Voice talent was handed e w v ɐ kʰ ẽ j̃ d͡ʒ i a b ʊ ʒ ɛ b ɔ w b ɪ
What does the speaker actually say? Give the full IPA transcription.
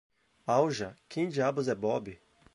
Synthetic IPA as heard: a w ʒ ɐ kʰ ẽ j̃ d͡ʒ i a b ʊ z ɛ b ɔ b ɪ